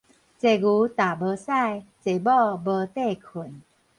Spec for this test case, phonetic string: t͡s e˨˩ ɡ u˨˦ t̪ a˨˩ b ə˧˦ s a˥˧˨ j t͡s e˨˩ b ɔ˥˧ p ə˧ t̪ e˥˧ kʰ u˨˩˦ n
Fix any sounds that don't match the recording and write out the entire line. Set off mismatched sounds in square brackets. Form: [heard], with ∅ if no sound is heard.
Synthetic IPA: t͡s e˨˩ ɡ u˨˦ t̪ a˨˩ b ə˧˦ s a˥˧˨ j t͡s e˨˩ b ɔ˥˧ [b] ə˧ t̪ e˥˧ kʰ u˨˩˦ n